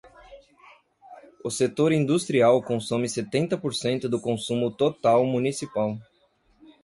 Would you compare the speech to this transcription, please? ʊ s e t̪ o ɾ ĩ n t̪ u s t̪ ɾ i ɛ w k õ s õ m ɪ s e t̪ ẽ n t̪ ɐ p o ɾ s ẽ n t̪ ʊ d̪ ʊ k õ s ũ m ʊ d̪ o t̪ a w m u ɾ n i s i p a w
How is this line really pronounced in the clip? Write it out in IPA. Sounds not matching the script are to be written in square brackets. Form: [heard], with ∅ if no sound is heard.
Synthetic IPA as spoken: ʊ s e t̪ o ɾ ĩ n [d̪] u s t̪ ɾ i [a] w k õ s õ m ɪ s e t̪ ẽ n t̪ ɐ p o ɾ s ẽ n t̪ ʊ d̪ ʊ k õ s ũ m ʊ [t̪] o t̪ a w m u [∅] n i s i p a w

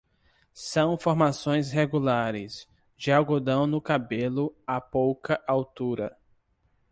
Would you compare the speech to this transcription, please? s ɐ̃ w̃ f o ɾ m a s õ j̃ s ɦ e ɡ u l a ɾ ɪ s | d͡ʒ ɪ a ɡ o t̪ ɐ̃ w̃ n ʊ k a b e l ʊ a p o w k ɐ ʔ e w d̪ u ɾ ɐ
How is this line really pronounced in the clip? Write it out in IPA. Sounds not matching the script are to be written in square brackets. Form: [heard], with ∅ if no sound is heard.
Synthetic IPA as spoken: s ɐ̃ w̃ f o ɾ m a s õ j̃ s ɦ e ɡ u l a ɾ ɪ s | d͡ʒ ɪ a ɡ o [d̪] ɐ̃ w̃ n ʊ k a b e l ʊ a p o w k ɐ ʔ [a] w [t̪] u ɾ ɐ

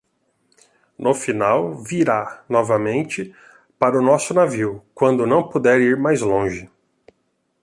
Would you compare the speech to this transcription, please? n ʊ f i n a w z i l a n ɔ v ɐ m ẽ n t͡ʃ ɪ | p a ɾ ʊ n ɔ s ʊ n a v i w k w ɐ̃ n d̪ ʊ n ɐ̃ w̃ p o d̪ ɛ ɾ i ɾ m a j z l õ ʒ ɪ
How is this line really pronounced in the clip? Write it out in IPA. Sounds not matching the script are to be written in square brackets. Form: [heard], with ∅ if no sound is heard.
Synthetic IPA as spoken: n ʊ f i n a w [v] i [ɾ] a n ɔ v ɐ m ẽ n t͡ʃ ɪ | p a ɾ ʊ n ɔ s ʊ n a v i w k w ɐ̃ n d̪ ʊ n ɐ̃ w̃ p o d̪ ɛ ɾ i ɾ m a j z l õ ʒ ɪ

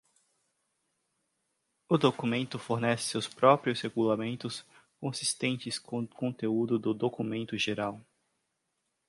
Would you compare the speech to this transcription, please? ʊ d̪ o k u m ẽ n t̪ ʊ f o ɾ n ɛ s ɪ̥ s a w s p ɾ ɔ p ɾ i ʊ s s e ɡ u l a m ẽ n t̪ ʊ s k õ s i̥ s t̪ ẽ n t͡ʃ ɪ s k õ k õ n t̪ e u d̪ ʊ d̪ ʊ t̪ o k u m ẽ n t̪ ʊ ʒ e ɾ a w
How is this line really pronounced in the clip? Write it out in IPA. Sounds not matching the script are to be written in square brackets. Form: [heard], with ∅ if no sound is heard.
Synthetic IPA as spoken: ʊ d̪ o k u m ẽ n t̪ ʊ f o ɾ n ɛ s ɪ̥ s [e] w s p ɾ ɔ p ɾ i ʊ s [h] e ɡ u l a m ẽ n t̪ ʊ s k õ s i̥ s t̪ ẽ n t͡ʃ ɪ s k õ k õ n t̪ e u d̪ ʊ d̪ ʊ [d̪] o k u m ẽ n t̪ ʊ ʒ e ɾ a w

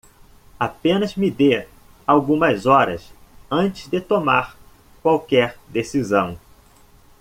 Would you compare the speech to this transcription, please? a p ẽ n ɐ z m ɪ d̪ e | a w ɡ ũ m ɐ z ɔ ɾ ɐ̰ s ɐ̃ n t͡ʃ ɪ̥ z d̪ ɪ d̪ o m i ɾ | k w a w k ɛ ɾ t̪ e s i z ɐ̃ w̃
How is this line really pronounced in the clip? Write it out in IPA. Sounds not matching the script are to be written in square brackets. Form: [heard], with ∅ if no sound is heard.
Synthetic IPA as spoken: a p ẽ n ɐ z m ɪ d̪ e | a w ɡ ũ m ɐ z ɔ ɾ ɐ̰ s ɐ̃ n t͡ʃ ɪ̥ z d̪ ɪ [t̪] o m [a] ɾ | k w a w k ɛ ɾ [d̪] e s i z ɐ̃ w̃

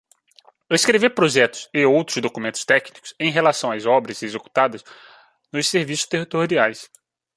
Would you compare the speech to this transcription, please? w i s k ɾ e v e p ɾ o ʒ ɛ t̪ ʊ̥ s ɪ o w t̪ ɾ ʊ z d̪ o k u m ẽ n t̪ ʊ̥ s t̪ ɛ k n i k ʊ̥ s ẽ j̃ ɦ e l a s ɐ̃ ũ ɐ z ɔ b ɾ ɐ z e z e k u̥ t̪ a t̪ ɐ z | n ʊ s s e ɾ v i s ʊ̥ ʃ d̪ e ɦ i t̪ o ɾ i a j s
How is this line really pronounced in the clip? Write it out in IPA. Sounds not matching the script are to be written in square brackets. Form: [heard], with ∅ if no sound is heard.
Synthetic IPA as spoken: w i s k ɾ e v e p ɾ o ʒ ɛ t̪ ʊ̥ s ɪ o w t̪ ɾ ʊ z d̪ o k u m ẽ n t̪ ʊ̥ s t̪ ɛ k n i k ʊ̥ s ẽ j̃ ɦ e l a s ɐ̃ [w̃] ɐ z ɔ b ɾ ɐ z e z e k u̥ t̪ a [d̪] ɐ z | n ʊ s s e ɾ v i s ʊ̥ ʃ [t̪] e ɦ i t̪ o ɾ i a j s

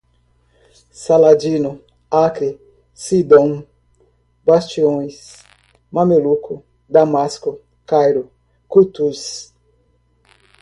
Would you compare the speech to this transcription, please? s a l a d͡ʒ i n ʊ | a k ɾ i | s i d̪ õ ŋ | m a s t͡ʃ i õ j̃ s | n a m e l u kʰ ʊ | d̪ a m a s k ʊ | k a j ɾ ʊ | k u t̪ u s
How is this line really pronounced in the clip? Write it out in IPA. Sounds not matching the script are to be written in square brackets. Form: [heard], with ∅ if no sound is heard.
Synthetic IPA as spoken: s a l a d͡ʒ i n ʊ | a k ɾ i | s i d̪ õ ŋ | [b] a s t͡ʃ i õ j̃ s | [m] a m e l u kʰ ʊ | d̪ a m a s k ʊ | k a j ɾ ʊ | k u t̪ u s

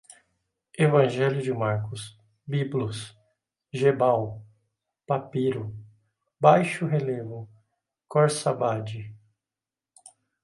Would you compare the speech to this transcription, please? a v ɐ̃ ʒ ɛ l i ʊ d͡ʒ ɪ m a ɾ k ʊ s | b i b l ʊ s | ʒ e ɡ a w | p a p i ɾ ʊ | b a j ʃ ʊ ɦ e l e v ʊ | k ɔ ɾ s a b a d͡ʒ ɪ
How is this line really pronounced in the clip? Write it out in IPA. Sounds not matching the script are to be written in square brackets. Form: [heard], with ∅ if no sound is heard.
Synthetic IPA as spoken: [e] v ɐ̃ ʒ ɛ l [j] ʊ d͡ʒ ɪ m a ɾ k ʊ s | b i b l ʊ s | ʒ e [b] a w | p a p i ɾ ʊ | b a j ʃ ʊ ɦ e l e v ʊ | k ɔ ɾ s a b a d͡ʒ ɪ

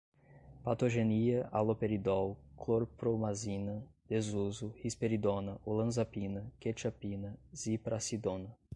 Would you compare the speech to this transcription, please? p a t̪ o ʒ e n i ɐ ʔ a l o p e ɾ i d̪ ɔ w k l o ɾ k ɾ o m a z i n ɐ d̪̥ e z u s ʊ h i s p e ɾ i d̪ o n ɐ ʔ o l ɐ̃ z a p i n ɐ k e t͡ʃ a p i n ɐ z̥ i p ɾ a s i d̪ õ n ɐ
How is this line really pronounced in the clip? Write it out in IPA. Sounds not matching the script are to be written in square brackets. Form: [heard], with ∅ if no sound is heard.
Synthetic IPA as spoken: p a t̪ o ʒ e n i ɐ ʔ a l o p e ɾ i d̪ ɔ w k l o ɾ [p] ɾ o m a z i n ɐ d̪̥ e z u [z] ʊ h i s p e ɾ i d̪ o n ɐ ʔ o l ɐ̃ z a p i n ɐ k e t͡ʃ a p i n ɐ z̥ i p ɾ a s i d̪ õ n ɐ

